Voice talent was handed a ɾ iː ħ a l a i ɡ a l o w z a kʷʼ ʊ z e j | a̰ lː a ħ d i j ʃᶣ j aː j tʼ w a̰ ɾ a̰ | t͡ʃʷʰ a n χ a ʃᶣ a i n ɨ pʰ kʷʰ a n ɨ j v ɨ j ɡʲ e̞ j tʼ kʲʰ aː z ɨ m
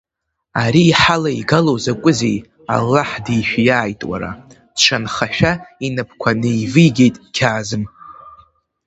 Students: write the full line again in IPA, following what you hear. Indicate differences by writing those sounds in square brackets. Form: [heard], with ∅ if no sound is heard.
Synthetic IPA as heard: a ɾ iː ħ a l a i ɡ a l o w z a kʷʼ ʊ z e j | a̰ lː a ħ d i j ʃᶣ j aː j tʼ w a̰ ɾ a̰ | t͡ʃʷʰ a n χ a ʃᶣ a i n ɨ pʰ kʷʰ a n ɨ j v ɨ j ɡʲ e̞ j tʼ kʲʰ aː z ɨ m